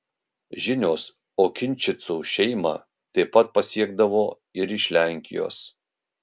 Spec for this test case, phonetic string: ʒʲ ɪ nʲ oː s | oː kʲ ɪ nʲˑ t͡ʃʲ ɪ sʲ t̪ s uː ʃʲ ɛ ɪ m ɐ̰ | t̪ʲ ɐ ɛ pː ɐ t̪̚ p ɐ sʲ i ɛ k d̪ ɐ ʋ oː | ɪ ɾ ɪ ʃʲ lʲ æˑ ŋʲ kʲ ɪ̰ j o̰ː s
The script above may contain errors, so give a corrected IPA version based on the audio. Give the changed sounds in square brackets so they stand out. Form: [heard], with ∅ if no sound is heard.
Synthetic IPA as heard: ʒʲ ɪ nʲ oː s | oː kʲ ɪ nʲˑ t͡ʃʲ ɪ [∅] t̪ s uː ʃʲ ɛ ɪ m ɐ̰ | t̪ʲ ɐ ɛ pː ɐ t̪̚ p ɐ sʲ i ɛ [ɡ] d̪ ɐ ʋ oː | ɪ ɾ ɪ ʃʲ lʲ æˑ ŋʲ kʲ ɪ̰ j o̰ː s